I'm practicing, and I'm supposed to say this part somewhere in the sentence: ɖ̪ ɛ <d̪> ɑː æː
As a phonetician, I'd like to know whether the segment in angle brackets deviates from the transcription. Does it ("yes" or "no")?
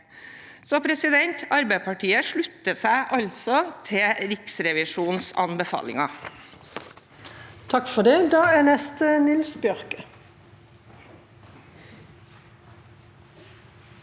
no